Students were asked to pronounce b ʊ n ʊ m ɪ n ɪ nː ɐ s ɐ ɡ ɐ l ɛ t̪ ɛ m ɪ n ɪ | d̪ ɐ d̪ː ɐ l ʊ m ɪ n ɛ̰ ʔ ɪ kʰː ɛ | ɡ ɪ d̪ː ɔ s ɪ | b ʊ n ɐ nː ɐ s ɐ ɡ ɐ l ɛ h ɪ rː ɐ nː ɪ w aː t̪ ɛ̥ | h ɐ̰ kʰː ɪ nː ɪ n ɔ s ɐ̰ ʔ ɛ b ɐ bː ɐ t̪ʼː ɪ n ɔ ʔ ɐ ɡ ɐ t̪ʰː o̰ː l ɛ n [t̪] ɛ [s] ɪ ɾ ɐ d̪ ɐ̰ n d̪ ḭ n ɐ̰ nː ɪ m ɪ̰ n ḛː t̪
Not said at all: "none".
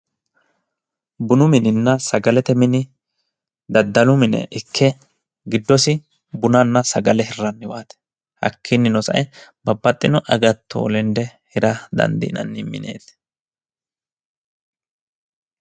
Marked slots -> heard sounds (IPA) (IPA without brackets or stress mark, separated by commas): d̪, h